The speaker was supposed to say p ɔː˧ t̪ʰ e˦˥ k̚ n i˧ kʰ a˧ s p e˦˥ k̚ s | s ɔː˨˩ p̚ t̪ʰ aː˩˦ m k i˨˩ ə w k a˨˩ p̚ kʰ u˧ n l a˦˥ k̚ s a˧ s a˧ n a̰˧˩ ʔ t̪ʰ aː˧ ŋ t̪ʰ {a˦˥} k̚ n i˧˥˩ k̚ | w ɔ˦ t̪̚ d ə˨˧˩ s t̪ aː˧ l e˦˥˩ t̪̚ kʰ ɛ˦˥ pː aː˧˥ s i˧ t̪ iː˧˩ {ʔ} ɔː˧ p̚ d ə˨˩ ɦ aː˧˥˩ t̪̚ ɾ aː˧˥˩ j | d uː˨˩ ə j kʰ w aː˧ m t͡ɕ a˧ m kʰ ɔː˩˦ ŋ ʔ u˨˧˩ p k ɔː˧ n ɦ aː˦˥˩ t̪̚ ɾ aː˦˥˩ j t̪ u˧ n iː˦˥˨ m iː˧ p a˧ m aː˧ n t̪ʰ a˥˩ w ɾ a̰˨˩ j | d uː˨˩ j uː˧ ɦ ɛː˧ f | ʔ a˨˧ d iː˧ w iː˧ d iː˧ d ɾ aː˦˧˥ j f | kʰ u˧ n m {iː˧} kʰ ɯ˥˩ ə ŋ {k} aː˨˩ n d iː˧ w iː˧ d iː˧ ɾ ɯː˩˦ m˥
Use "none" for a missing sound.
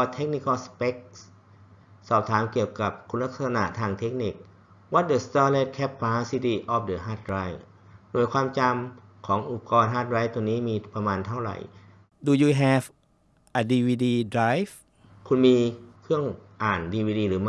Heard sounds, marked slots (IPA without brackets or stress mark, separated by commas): e˦˥, ʔ, iː˧, ʔ